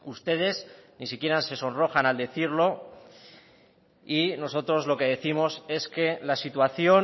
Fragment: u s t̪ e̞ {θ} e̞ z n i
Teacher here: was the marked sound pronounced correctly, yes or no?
no